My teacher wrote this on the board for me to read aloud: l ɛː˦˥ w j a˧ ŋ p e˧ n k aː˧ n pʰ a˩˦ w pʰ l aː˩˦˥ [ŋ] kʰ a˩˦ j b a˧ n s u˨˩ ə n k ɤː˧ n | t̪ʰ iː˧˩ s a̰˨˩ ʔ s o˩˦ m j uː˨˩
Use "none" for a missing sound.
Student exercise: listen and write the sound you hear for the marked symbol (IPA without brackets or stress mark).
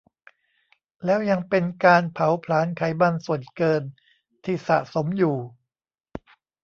n